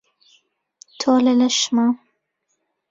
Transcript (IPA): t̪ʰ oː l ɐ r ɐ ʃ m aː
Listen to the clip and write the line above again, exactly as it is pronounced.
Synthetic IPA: t̪ʰ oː l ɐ l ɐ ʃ m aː